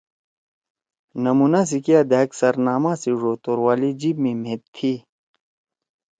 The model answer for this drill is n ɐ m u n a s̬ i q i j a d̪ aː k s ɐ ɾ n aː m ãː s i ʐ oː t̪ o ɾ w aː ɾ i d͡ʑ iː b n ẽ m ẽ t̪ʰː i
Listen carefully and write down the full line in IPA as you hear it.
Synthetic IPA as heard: n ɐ m u n a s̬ i k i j a d̪ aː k s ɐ ɾ n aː m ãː s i ʐ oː t̪ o ɾ w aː l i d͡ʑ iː b m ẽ m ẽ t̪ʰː i